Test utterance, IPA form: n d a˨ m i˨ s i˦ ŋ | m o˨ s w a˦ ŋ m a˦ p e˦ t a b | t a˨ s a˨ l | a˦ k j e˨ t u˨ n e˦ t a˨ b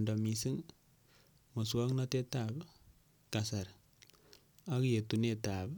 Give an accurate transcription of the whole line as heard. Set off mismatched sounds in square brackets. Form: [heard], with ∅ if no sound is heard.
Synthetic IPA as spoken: n d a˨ m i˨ s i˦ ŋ | m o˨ s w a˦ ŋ [n] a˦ [t] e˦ t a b | [k] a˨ s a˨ [ɾ] | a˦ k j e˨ t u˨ n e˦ t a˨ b